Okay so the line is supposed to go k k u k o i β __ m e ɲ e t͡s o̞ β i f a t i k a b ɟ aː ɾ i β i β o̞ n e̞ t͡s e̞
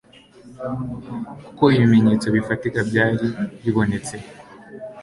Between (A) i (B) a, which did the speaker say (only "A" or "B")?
A